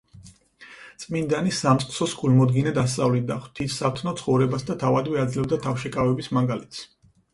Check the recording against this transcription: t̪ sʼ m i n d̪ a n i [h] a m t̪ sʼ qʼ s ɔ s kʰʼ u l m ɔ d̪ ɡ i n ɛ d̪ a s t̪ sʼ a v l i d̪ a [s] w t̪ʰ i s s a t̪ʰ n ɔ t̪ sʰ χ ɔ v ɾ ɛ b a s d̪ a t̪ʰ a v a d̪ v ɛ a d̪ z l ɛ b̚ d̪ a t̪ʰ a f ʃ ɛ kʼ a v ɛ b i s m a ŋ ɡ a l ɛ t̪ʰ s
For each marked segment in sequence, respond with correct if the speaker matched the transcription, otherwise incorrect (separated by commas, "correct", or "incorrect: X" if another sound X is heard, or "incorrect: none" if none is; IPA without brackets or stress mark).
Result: incorrect: s, incorrect: χ